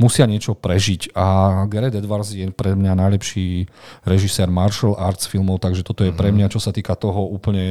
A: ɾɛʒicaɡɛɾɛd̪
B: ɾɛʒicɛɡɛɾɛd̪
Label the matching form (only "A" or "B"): A